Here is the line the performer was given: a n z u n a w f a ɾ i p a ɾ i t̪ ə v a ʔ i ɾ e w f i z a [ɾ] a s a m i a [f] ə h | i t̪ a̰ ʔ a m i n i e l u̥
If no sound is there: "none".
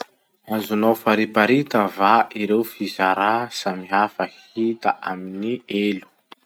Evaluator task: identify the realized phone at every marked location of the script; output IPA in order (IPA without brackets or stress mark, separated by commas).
ɾ, f